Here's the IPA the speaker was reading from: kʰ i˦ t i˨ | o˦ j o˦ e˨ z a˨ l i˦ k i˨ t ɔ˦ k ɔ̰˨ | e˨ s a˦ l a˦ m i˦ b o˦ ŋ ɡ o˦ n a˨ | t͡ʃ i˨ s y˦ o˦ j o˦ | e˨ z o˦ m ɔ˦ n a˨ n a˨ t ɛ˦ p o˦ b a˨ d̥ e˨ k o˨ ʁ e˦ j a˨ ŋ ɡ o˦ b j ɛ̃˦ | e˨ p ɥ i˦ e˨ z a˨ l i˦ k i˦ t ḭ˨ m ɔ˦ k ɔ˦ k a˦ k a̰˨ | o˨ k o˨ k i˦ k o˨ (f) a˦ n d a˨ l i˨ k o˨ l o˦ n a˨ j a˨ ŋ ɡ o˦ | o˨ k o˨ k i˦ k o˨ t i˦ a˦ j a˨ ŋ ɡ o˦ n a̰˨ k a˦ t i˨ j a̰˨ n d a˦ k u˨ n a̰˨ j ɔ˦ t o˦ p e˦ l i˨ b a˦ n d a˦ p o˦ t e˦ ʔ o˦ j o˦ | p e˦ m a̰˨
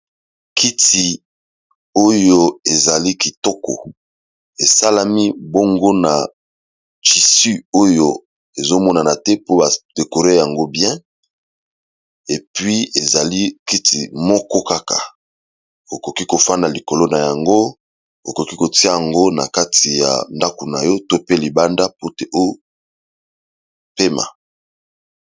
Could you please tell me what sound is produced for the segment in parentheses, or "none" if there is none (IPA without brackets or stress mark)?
f